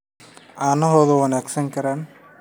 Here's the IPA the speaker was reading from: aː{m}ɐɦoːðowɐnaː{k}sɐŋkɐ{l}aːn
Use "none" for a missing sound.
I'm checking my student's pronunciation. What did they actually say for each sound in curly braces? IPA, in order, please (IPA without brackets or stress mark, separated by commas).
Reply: n, k, ɾ